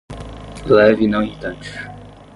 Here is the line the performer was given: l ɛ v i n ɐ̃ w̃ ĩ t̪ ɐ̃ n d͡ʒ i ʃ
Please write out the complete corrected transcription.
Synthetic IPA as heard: l ɛ v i n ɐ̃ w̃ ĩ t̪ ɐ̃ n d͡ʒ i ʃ